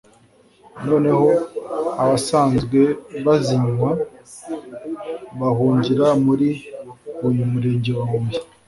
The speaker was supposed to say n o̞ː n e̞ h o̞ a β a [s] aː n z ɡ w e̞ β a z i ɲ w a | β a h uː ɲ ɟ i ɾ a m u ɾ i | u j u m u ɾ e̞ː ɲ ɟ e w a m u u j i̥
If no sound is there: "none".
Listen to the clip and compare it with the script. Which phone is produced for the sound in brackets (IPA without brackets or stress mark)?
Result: s